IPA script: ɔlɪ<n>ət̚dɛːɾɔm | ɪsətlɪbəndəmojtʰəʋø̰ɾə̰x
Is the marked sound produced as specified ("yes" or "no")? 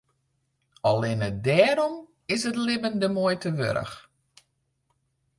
yes